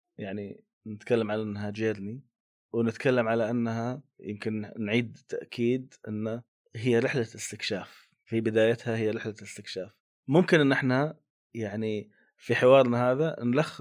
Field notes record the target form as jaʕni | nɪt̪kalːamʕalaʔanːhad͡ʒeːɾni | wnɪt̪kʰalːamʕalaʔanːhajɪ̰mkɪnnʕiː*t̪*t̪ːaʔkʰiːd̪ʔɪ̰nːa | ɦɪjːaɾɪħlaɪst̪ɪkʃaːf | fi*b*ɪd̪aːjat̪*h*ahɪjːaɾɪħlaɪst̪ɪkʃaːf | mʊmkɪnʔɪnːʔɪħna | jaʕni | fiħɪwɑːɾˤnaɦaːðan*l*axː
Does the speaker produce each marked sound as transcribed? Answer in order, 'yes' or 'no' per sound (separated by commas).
no, yes, yes, yes